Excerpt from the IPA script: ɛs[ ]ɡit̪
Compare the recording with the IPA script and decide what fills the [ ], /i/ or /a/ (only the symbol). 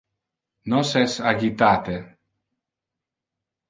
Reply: a